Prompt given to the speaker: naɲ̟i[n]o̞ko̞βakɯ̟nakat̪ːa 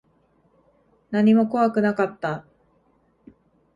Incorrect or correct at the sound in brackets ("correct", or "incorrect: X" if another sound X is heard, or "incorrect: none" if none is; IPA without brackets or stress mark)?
incorrect: m